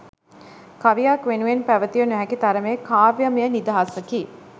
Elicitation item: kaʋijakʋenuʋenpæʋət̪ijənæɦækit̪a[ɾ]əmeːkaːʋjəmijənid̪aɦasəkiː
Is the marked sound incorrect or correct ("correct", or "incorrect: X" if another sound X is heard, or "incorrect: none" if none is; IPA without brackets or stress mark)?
correct